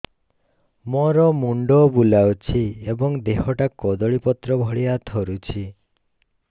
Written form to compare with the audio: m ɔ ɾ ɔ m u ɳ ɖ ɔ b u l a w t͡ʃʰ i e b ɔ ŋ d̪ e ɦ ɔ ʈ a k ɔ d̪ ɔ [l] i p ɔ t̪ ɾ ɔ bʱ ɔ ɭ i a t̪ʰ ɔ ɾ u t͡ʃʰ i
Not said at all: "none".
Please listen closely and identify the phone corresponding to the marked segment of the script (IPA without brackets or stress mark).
ɭ